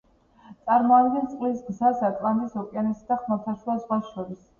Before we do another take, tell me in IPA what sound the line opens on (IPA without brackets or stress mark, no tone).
t̪